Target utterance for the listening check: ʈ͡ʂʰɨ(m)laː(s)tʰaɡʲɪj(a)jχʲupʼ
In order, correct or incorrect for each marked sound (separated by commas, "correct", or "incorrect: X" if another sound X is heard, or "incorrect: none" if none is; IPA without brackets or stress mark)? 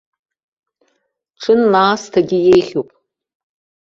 incorrect: n, correct, incorrect: e